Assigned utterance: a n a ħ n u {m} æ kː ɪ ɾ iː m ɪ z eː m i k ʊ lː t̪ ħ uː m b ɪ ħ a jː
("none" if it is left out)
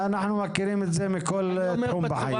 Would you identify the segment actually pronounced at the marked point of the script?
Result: m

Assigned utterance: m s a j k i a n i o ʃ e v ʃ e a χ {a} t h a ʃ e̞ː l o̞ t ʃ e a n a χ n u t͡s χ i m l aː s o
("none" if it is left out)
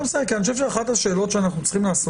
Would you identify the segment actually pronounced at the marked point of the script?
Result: a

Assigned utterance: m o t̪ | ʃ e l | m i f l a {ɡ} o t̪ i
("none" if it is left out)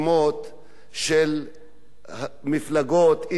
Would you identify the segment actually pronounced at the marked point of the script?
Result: ɡ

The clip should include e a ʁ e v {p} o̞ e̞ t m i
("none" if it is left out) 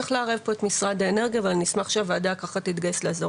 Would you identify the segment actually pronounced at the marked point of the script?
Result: p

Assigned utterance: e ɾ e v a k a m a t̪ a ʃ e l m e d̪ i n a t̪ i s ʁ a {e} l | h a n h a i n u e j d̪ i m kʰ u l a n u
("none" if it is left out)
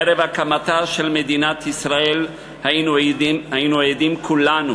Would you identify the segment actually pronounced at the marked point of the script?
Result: e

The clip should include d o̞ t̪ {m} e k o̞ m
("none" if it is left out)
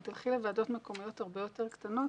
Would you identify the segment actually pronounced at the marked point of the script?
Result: m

